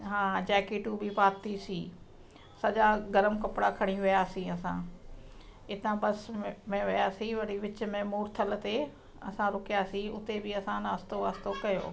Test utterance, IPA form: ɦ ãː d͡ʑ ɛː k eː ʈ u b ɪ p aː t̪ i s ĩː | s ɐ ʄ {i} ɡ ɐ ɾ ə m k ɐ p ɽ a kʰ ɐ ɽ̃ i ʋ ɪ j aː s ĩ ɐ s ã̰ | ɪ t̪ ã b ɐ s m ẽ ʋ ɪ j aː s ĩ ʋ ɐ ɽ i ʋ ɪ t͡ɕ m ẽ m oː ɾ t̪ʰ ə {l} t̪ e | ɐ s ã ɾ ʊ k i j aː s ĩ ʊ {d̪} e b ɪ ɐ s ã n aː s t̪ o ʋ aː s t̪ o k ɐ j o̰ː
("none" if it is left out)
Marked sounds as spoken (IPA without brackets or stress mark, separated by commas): a, l, t̪